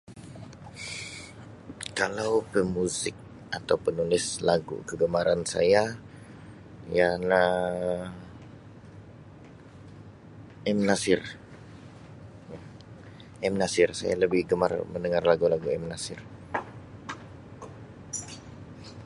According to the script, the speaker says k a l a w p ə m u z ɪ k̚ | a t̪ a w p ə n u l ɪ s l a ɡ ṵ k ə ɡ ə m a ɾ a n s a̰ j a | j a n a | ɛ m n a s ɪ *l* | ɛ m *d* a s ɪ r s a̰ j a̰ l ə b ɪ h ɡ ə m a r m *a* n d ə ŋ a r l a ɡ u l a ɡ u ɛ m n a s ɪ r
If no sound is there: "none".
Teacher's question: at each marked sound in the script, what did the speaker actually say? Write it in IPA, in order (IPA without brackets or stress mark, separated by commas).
r, n, ə